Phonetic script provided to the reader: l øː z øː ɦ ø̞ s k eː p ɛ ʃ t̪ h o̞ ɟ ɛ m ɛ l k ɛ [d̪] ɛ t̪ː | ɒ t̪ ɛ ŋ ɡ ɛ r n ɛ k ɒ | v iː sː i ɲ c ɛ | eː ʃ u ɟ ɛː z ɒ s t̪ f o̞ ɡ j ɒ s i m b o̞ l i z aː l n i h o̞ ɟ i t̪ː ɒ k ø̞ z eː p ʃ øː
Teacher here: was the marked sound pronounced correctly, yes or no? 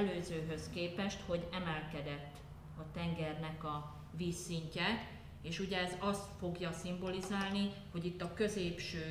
yes